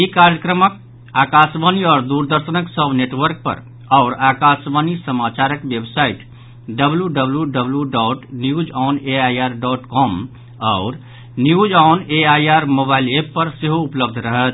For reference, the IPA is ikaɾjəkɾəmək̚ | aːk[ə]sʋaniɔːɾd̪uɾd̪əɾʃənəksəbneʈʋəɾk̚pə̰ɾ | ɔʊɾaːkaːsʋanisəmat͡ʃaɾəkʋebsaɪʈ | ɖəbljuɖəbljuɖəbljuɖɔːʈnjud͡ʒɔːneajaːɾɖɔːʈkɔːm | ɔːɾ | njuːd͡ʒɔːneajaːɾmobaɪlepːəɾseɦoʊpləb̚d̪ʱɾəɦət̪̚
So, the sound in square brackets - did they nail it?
no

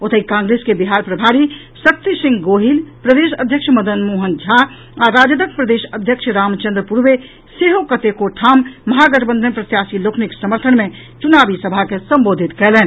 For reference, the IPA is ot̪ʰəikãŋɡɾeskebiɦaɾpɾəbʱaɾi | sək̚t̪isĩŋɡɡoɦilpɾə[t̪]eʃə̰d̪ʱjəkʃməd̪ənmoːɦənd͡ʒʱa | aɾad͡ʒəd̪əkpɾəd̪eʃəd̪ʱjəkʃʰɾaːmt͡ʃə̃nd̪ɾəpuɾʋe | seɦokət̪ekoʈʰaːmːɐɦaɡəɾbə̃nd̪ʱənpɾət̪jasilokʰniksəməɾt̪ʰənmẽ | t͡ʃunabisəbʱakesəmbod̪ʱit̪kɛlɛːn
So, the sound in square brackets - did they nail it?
no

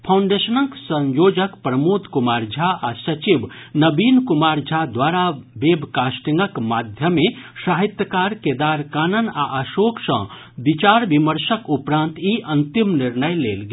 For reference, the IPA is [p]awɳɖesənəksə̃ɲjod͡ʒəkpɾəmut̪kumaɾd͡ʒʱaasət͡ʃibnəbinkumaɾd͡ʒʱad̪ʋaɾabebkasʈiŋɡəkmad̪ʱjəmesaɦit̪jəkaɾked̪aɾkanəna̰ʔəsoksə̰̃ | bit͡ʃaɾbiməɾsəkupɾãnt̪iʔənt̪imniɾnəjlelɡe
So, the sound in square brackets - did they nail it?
no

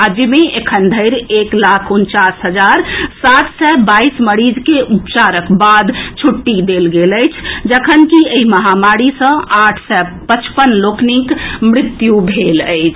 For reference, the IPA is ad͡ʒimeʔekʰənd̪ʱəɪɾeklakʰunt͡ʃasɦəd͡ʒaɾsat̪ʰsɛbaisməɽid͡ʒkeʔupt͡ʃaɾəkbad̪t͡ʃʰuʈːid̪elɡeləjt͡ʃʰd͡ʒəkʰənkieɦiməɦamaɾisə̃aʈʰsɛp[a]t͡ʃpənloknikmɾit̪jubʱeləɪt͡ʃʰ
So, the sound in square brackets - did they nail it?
no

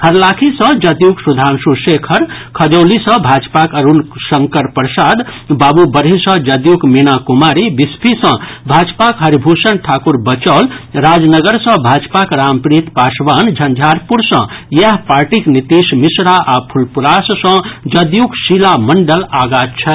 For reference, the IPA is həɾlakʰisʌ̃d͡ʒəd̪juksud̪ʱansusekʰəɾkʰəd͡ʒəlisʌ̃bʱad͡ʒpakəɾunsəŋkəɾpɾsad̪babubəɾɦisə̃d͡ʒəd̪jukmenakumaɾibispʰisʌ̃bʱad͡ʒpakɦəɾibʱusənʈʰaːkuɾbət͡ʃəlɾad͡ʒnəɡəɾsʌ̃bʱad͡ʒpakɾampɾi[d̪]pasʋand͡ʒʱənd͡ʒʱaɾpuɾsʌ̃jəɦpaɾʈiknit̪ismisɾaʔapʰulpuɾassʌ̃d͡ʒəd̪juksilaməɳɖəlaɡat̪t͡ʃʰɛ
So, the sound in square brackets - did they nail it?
no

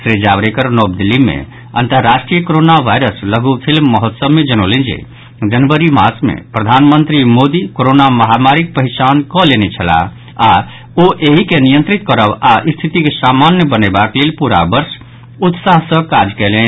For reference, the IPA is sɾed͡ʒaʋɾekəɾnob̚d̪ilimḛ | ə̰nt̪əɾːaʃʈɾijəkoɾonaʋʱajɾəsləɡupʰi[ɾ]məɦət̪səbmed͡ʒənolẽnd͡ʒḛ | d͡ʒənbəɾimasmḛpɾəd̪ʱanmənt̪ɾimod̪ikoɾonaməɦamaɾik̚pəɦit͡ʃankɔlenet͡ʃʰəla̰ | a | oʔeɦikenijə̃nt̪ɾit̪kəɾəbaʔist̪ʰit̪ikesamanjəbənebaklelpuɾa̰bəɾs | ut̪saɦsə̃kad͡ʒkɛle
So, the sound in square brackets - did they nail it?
no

